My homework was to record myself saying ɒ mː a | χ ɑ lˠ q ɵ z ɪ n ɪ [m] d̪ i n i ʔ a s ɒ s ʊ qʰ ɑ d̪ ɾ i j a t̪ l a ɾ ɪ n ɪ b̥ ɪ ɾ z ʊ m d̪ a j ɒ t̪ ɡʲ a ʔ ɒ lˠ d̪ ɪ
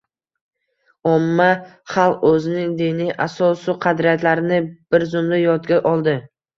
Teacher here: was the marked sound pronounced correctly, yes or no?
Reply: no